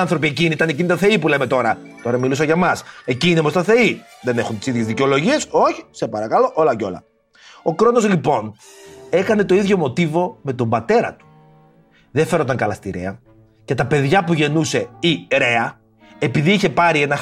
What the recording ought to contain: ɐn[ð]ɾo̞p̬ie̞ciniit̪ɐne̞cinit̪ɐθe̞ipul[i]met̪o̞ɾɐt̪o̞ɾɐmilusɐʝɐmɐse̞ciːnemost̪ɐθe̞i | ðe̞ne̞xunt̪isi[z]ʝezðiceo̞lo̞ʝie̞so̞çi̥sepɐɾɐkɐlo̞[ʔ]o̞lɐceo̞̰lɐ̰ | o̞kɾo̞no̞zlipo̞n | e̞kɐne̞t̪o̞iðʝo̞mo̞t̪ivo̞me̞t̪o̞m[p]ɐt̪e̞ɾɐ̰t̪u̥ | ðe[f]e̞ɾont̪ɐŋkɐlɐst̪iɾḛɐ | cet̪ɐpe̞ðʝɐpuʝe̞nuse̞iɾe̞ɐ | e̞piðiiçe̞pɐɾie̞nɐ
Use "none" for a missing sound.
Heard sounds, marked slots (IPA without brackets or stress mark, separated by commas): θ, e, ð, ʔ, b, f